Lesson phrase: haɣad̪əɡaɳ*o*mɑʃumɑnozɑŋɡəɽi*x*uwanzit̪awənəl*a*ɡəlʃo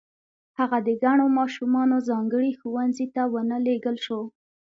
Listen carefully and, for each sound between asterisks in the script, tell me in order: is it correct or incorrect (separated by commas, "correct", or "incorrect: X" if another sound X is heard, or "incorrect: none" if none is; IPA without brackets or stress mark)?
correct, correct, incorrect: e